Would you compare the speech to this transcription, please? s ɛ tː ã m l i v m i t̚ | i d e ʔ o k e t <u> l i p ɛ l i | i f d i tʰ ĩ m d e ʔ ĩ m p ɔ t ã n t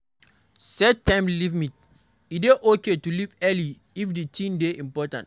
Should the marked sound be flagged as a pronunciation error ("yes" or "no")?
no